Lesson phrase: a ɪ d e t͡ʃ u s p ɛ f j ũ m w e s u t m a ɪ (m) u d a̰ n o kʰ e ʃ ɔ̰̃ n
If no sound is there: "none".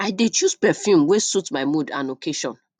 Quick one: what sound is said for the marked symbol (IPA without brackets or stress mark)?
m